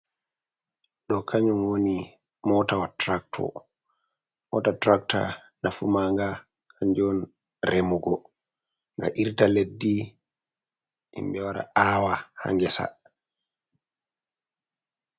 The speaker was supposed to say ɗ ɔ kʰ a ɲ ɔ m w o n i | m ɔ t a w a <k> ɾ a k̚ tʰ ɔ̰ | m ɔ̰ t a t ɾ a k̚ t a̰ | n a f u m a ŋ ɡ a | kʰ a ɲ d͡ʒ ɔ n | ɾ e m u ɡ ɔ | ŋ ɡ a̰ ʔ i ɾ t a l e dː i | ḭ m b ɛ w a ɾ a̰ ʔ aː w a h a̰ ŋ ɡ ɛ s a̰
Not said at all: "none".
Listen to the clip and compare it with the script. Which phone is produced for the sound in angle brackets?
t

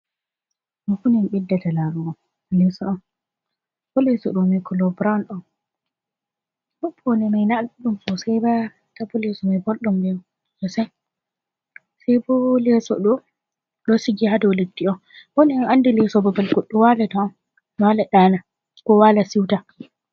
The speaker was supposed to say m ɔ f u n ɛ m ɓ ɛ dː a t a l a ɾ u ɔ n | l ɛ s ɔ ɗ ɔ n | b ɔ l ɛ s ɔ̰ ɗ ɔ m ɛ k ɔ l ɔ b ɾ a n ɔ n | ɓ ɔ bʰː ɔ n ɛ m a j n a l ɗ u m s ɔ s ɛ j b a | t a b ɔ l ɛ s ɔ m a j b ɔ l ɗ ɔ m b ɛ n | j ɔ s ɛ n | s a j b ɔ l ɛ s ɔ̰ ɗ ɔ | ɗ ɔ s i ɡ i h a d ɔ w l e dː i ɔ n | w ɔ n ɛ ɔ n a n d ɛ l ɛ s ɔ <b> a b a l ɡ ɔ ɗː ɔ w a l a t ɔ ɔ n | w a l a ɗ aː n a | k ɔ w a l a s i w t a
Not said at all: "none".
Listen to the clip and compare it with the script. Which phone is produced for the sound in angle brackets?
b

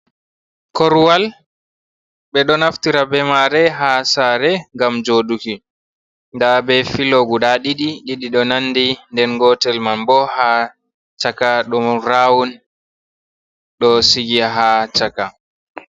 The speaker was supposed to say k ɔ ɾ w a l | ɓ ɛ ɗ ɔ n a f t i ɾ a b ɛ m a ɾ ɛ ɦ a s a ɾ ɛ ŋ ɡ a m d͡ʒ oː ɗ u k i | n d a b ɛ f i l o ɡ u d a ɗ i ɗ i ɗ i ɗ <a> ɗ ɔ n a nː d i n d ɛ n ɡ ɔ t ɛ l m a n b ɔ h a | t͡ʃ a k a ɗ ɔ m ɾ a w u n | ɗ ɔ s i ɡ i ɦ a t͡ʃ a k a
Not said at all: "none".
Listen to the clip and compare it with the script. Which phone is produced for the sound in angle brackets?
i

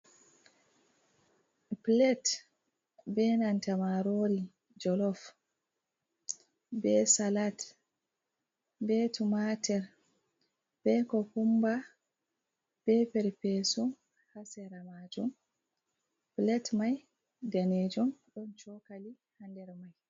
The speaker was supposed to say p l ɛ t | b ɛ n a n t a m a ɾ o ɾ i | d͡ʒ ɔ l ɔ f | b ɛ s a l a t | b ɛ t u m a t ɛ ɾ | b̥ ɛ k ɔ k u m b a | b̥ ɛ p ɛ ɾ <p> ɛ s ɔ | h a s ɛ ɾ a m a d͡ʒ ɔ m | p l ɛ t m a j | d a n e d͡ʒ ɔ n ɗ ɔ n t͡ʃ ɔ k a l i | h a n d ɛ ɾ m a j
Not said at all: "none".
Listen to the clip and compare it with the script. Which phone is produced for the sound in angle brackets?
p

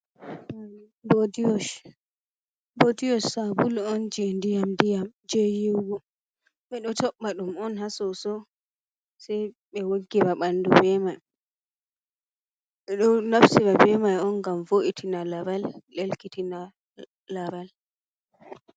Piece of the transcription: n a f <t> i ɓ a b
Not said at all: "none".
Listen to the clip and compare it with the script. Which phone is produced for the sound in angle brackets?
s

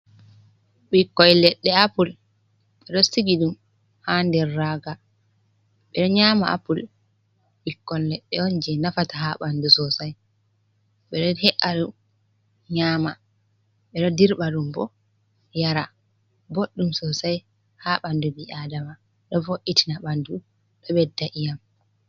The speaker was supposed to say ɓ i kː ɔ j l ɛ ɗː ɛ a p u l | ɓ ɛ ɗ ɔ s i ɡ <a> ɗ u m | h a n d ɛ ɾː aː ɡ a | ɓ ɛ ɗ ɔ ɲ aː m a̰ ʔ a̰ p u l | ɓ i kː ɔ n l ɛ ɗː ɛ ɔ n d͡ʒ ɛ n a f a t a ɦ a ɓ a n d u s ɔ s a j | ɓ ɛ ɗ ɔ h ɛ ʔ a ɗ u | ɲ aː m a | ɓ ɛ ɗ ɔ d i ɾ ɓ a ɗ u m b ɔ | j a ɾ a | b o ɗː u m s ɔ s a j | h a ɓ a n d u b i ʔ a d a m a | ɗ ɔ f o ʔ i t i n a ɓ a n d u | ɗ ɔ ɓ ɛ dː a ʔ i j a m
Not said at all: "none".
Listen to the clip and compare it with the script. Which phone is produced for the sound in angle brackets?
i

